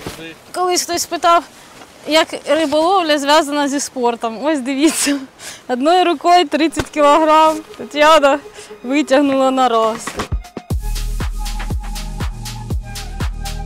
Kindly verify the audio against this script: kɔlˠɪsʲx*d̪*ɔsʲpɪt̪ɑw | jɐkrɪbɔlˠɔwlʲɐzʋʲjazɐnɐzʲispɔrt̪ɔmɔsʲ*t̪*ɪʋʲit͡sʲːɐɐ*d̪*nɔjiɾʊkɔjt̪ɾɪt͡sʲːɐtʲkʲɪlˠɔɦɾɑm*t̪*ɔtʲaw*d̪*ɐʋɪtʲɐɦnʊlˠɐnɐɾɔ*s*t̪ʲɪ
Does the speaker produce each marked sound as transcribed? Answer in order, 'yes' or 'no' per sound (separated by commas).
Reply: no, no, yes, yes, yes, yes